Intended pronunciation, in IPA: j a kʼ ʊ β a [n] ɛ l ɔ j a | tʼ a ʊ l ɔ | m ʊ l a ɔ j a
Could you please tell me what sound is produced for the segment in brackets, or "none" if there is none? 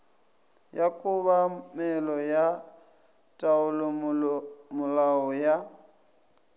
m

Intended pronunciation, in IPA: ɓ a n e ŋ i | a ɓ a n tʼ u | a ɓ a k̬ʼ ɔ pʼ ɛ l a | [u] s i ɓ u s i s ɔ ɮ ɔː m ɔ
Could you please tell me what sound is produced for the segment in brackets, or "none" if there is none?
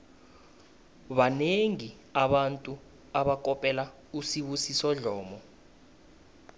u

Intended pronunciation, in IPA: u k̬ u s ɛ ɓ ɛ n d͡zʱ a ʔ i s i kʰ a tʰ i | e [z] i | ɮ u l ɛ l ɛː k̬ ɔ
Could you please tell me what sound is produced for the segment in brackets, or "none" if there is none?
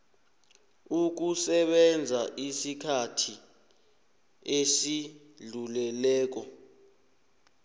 s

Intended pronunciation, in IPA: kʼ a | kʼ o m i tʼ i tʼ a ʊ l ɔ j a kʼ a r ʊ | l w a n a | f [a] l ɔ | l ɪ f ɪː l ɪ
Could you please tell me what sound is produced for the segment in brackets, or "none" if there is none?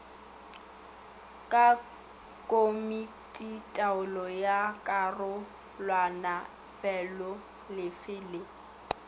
ɛ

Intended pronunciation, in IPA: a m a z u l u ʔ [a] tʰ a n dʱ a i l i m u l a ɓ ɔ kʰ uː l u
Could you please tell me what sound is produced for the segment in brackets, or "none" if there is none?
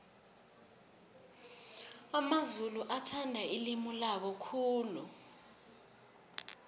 a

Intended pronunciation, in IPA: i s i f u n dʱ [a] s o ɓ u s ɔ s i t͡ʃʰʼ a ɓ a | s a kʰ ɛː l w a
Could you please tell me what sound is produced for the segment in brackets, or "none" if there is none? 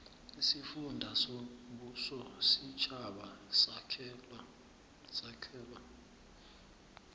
a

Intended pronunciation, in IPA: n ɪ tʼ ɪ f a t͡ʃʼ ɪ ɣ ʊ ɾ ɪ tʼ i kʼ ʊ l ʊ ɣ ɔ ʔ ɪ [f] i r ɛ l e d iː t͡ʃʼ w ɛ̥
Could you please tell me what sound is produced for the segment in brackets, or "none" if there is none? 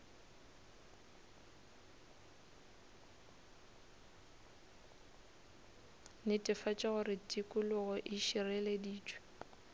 ʃ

